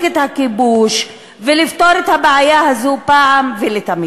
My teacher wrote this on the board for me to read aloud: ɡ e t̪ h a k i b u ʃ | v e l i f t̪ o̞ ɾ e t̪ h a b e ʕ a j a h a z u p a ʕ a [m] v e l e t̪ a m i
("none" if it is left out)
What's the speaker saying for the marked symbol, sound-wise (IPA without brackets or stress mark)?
m